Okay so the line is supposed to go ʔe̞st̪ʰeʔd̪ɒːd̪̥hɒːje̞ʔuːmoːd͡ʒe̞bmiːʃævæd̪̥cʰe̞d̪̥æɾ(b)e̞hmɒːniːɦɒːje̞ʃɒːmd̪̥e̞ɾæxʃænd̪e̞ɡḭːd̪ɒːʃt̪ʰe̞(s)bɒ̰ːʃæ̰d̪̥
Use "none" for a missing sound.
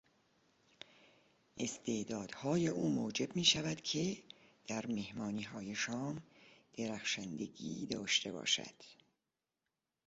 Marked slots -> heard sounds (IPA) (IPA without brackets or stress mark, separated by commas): m, none